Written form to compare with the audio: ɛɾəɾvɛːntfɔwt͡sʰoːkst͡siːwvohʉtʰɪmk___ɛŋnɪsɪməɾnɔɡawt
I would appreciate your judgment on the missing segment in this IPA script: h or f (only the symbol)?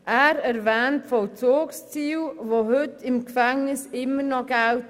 f